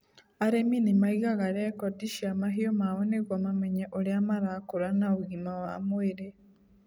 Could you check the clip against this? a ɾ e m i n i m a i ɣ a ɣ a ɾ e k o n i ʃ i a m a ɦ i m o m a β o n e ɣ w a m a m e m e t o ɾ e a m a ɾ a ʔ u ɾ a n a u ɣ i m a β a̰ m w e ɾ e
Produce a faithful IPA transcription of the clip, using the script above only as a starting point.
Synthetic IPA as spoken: a ɾ e m i n i m a i ɣ a ɣ a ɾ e k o d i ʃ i a m a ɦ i o m a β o n e ɣ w a m a m e ɲ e ʔ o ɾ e a m a ɾ a k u ɾ a n a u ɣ i m a w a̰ m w e ɾ e

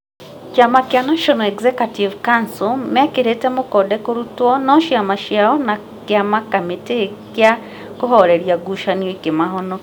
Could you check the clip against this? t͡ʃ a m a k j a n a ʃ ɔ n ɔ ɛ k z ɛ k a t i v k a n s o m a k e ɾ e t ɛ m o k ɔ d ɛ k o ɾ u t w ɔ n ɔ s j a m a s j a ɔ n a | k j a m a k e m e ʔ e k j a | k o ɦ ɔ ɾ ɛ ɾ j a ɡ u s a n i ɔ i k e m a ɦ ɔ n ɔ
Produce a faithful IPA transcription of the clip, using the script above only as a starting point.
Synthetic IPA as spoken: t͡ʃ a m a k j a n a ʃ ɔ n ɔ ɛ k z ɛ k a t i v k a n s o m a k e ɾ e t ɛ m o k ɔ d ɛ k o ɾ u t w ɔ n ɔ ʃ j a m a ʃ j a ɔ n a | k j a m a k a m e t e k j a | k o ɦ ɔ ɾ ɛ ɾ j a ɡ u ʃ a n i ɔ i k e m a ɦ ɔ n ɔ

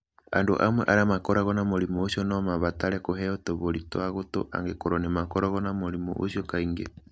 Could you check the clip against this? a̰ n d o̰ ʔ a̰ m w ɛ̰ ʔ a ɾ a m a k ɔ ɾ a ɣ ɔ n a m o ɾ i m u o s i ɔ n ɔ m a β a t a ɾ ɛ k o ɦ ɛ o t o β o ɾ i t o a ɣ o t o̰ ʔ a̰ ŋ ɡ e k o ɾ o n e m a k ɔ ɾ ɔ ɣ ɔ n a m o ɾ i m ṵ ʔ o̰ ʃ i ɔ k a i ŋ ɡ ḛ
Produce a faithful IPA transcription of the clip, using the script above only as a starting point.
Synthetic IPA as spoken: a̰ n d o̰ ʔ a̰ m w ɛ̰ ʔ a ɾ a m a k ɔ ɾ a ɣ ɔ n a m o ɾ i m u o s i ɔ n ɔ m a β a t a ɾ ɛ k o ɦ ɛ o t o β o ɾ i t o a ɣ o t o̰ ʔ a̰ ŋ ɡ e k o ɾ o n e m a k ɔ ɾ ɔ ɣ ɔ n a m o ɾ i m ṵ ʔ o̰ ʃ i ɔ k a i ŋ ɡ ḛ

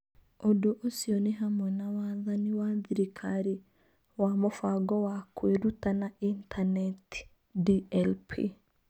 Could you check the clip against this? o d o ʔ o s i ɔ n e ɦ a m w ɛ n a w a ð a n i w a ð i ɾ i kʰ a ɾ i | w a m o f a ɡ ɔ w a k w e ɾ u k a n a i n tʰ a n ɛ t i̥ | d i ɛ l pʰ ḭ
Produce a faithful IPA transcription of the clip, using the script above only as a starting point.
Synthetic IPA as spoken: o d o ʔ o s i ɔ n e ɦ a m w ɛ n a w a ð a n i w a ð i ɾ i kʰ a ɾ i | w a m o f a ɡ ɔ w a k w e ɾ u t a n a i n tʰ a n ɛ t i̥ | d i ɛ l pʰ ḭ

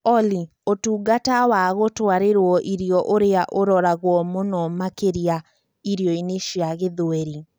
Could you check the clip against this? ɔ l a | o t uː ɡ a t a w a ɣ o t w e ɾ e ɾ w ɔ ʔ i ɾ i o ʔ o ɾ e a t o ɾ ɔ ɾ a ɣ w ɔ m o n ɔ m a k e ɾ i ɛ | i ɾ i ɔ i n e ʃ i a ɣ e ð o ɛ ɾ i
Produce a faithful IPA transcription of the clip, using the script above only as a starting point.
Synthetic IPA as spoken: ɔ l i | o t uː ɡ a t a w a ɣ o t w a ɾ e ɾ w ɔ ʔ i ɾ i ɔ ʔ o ɾ e a ʔ o ɾ ɔ ɾ a ɣ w ɔ m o n ɔ m a k e ɾ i a | i ɾ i ɔ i n e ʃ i a ɣ e ð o ɛ ɾ i

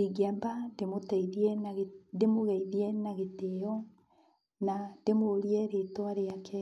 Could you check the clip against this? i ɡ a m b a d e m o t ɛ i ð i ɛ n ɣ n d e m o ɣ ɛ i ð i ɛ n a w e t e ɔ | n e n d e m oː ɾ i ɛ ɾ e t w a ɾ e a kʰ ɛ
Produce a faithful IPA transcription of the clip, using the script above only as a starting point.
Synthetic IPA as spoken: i ɡ a m b a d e m o t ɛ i ð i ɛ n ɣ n d e m o ɣ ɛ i ð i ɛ n a ɣ e t e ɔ | n a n d e m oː ɾ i ɛ ɾ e t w a ɾ e a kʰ ɛ

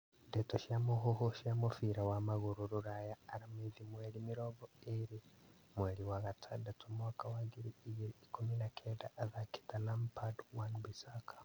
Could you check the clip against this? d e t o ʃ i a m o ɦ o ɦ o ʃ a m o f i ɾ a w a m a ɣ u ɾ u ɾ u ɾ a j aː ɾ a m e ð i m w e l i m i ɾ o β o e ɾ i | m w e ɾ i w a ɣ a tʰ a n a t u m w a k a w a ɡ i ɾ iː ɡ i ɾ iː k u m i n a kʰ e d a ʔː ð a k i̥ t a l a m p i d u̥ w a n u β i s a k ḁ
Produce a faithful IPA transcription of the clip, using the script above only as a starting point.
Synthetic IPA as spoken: d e t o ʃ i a m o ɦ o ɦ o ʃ a m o f i ɾ a w a m a ɣ u ɾ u ɾ u ɾ a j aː ɾ a m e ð i m w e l i m i ɾ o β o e ɾ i | m w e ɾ i w a ɣ a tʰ a d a t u m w a k a w a ɡ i ɾ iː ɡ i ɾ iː k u m i n a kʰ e d a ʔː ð a k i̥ t a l a m p a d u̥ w a n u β i s a k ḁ

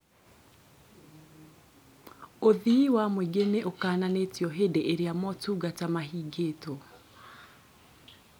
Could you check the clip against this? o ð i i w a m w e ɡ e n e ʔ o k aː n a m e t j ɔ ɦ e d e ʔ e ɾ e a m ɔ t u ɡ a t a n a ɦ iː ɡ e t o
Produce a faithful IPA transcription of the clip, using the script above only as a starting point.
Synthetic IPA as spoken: o ð i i w a m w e ɡ e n e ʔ o k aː n a n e t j ɔ ɦ e d e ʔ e ɾ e a m ɔ t u ɡ a t a m a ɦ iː ɡ e t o

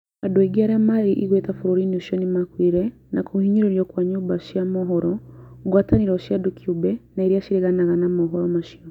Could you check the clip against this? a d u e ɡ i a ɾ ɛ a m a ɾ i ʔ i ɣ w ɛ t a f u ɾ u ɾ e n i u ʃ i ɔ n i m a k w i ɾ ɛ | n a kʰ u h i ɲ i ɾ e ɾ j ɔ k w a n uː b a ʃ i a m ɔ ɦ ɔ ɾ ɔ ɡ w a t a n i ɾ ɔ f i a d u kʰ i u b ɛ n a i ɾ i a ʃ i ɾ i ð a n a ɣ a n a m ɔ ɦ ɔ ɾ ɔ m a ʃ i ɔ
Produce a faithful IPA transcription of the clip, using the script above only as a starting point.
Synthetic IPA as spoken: a d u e ɡ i a ɾ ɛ a m a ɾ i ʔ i ɣ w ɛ t a f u ɾ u ɾ i n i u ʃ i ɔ n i m a k w i ɾ ɛ | n a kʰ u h i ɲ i ɾ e ɾ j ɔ k w a ɲ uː b a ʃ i a m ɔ ɦ ɔ ɾ ɔ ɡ w a t a n i ɾ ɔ ʃ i a d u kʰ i u b ɛ n a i ɾ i a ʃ i ɾ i ɣ a n a ɣ a n a m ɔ ɦ ɔ ɾ ɔ m a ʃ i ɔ

